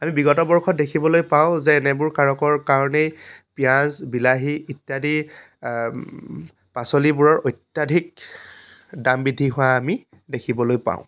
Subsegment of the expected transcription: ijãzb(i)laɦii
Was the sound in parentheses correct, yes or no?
yes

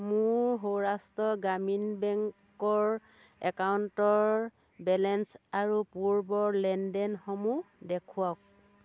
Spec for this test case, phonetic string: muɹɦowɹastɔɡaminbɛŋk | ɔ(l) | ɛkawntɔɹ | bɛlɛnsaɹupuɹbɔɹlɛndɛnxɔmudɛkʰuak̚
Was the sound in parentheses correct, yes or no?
no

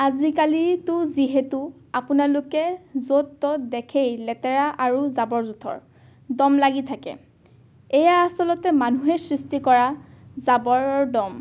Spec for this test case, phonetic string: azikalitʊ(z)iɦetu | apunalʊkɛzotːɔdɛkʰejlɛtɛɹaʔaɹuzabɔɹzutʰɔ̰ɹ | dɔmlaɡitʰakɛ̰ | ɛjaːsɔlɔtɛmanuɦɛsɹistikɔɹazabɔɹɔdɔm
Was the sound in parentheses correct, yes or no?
yes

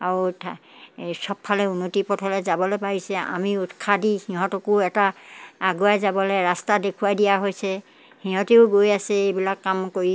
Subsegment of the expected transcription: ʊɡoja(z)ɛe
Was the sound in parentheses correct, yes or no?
no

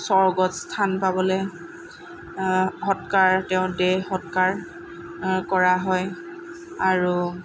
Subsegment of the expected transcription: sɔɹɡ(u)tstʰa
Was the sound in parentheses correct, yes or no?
no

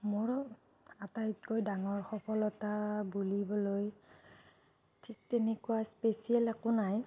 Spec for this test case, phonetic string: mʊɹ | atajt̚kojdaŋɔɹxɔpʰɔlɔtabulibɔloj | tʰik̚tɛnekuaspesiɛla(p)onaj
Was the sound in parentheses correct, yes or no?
no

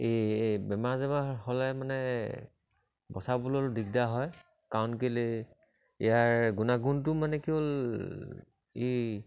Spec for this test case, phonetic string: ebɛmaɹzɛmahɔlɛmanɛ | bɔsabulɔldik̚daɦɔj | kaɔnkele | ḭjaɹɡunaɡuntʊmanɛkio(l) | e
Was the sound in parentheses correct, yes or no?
yes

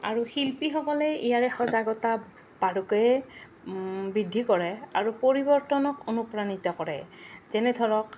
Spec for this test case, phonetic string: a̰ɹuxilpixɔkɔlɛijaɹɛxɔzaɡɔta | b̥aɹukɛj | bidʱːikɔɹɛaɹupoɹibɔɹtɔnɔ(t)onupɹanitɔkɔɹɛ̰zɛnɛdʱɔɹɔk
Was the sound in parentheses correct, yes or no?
no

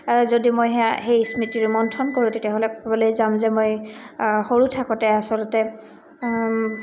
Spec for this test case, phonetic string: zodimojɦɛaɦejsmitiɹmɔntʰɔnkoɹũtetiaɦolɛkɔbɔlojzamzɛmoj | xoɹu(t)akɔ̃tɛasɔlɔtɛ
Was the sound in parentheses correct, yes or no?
no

